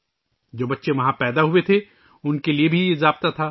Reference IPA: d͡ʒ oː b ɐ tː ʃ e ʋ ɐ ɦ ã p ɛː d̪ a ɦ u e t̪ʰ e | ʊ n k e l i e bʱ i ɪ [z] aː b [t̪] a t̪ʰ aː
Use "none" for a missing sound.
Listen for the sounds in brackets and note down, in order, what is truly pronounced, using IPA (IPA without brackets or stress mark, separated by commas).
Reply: z, t̪